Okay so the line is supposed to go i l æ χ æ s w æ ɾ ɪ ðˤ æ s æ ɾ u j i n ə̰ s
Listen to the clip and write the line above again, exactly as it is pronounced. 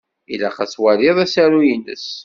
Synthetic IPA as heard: i l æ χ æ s w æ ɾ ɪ ðˤ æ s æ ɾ u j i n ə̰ s